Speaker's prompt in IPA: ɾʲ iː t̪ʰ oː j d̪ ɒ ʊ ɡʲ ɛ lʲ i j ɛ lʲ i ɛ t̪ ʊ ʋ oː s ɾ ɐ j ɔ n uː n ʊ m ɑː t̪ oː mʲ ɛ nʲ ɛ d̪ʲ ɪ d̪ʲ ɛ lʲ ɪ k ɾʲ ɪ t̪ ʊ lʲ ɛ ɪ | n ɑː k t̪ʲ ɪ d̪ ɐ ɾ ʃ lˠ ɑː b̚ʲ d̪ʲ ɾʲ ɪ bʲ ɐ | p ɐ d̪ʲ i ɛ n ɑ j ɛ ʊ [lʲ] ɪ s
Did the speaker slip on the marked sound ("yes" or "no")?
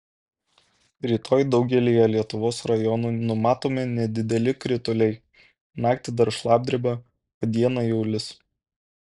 no